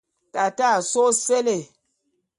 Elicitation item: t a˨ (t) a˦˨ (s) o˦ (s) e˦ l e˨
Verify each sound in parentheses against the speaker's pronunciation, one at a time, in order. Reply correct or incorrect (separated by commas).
correct, correct, correct